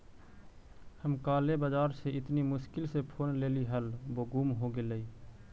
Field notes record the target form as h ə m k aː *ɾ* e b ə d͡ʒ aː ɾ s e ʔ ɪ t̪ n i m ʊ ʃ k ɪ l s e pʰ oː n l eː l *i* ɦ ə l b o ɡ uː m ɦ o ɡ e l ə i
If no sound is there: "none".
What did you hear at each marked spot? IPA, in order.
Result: l, i

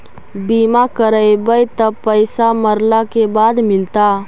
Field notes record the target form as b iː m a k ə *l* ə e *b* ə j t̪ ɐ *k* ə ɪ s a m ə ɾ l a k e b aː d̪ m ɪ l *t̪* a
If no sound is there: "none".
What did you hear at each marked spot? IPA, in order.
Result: ɾ, b, p, t̪

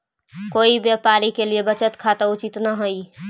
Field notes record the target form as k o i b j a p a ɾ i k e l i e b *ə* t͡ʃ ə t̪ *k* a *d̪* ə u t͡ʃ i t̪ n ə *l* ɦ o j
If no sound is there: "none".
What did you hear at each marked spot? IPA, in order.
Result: ə, kʰ, t̪, none

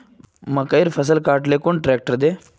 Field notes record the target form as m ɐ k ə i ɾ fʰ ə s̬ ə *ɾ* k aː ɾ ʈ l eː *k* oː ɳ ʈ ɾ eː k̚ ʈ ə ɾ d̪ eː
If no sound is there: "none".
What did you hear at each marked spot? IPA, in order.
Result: l, k

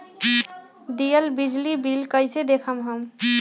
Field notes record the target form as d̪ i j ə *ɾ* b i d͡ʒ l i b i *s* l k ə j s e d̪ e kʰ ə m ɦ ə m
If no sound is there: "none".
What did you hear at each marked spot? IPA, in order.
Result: l, none

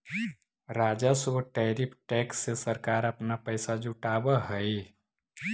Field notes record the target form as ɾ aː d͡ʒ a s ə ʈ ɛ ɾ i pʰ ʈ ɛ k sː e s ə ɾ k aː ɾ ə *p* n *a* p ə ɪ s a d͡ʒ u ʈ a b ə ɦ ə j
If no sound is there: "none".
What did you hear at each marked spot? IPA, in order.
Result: p, a

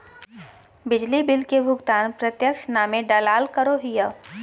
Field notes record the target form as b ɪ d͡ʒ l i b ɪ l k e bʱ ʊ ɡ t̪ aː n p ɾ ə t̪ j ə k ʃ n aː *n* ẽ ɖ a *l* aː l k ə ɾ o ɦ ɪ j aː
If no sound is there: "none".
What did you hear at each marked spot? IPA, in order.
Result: m, l

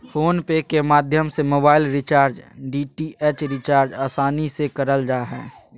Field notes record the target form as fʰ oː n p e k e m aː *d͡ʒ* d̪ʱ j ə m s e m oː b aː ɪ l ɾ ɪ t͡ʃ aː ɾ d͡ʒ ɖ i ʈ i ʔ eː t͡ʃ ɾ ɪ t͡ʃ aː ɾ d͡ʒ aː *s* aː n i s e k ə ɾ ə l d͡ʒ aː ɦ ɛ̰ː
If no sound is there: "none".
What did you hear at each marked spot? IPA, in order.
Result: none, s

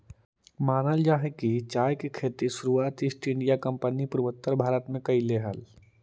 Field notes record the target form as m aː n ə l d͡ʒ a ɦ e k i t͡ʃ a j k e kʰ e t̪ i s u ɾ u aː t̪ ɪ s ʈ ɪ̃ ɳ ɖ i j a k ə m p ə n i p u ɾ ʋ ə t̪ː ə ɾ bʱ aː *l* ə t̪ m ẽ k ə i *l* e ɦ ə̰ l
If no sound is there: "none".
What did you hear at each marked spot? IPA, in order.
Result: ɾ, l

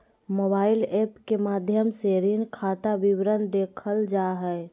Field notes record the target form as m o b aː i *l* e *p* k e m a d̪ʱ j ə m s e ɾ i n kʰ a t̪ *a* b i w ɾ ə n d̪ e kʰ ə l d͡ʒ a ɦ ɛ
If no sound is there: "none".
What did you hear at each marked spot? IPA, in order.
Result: l, p, a

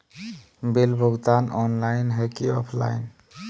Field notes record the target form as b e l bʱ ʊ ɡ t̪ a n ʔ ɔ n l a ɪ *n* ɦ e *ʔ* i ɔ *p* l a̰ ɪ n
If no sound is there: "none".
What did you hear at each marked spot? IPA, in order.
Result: n, k, pʰ

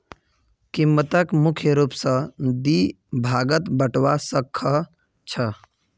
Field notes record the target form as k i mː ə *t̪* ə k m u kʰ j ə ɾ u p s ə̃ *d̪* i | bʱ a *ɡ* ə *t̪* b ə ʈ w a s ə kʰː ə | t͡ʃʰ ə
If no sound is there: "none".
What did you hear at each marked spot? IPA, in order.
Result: t̪, d̪, ɡ, t̪

